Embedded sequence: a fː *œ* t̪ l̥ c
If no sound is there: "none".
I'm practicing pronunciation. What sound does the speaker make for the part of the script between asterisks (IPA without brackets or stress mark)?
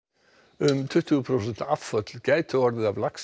œ